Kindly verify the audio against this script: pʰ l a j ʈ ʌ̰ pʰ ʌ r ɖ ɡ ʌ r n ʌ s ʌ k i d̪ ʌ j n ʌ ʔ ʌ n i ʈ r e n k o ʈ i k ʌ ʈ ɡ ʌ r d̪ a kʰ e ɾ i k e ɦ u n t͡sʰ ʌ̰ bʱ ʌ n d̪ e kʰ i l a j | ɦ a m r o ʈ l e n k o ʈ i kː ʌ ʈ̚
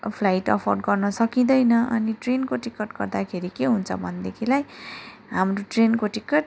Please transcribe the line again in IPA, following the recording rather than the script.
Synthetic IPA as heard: pʰ l a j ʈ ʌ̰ pʰ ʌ r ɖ ɡ ʌ r n ʌ s ʌ k i d̪ ʌ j n ʌ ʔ ʌ n i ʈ r e n k o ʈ i k ʌ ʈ ɡ ʌ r d̪ a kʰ e ɾ i k e ɦ u n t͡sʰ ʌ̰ bʱ ʌ n d̪ e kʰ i l a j | ɦ a m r o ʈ r e n k o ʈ i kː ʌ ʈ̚

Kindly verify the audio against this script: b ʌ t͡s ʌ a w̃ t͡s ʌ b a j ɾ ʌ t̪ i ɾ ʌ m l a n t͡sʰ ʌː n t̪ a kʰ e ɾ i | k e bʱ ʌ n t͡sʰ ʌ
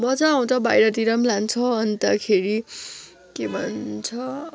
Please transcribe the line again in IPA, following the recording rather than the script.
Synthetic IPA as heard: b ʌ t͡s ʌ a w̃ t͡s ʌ b a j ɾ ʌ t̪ i ɾ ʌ m l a n t͡sʰ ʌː n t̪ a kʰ e ɾ i | k e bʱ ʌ n t͡sʰ ʌ

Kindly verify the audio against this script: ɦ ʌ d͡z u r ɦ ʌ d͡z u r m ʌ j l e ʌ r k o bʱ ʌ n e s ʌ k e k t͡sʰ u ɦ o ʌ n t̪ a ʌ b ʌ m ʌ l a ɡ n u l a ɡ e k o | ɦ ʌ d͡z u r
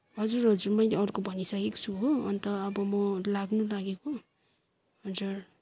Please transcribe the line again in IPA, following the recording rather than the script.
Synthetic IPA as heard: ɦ ʌ d͡z u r ɦ ʌ d͡z u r m ʌ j l e ʌ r k o bʱ ʌ n i s ʌ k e k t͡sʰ u ɦ o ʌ n t̪ ʌ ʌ b ʌ m ʌ l a ɡ n u l a ɡ e k o | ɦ ʌ d͡z u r

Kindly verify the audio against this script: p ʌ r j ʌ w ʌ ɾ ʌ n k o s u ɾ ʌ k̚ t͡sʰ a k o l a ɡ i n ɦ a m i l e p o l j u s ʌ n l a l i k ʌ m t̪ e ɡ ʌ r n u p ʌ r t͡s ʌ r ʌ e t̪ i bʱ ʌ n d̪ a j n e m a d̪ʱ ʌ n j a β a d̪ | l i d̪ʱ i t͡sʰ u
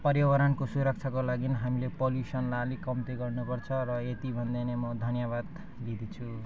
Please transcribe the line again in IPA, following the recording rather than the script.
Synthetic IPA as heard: p ʌ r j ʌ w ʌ ɾ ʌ n k o s u ɾ ʌ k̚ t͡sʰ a k o l a ɡ i n ɦ a m i l e p o l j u s ʌ n l a l i k ʌ m t̪ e ɡ ʌ r n u p ʌ r t͡sʰ ʌ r ʌ e t̪ i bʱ ʌ n d̪ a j n e m ʌ d̪ʱ ʌ n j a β a d̪ | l i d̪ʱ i t͡sʰ u

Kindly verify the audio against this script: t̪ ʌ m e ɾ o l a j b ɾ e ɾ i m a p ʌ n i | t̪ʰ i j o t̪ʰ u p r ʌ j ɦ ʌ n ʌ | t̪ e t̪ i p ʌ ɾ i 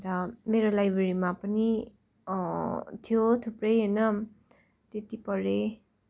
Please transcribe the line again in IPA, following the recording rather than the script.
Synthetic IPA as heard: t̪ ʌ m e ɾ o l a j b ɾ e ɾ i m a p ʌ n i | t̪ʰ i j o t̪ʰ u p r ʌ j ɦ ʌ n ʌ | t̪ e t̪ i p ʌ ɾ e

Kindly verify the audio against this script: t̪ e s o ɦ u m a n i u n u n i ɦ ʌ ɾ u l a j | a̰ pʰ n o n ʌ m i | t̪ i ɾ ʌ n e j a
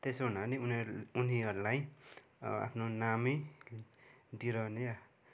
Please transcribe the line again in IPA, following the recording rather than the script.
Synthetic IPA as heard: t̪ e s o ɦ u n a n i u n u n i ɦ ʌ ɾ u l a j | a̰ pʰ n o n a m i | d̪ i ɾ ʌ n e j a

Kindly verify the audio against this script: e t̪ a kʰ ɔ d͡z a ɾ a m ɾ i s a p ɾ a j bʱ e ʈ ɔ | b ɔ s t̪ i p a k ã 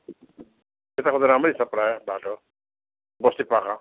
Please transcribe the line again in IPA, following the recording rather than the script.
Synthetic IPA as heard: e t̪ a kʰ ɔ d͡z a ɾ a m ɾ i s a p ɾ a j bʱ a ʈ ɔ | b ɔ s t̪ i p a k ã

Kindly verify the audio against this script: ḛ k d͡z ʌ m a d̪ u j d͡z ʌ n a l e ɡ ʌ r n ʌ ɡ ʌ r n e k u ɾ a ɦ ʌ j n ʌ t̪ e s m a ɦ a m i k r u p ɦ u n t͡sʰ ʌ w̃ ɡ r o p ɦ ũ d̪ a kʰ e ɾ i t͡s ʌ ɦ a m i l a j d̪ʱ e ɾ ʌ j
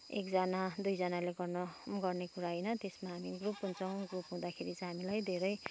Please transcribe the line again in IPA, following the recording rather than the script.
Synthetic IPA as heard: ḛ k d͡z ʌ n a d̪ u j d͡z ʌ n a l e ɡ ʌ r n ʌ ɡ ʌ r n e k u ɾ a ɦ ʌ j n ʌ t̪ e s m a ɦ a m i ɡ r u p ɦ u n t͡sʰ ʌ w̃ ɡ r u p ɦ ũ d̪ a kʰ e ɾ i t͡s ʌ ɦ a m i l a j d̪ʱ e ɾ ʌ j

